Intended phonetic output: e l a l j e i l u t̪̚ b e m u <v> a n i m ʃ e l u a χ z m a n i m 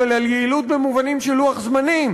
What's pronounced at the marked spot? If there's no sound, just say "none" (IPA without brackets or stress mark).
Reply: v